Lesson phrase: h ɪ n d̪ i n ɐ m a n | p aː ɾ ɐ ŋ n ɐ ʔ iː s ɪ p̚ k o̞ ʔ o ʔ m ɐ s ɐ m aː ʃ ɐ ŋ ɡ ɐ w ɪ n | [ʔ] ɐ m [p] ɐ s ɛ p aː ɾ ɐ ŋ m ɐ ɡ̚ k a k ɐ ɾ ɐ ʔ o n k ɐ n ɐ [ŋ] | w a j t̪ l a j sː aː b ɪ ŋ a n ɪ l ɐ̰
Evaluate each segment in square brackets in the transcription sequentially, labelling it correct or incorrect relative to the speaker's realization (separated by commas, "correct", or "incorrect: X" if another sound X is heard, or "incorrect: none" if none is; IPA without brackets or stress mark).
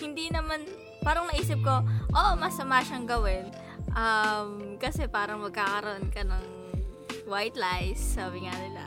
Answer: correct, incorrect: k, correct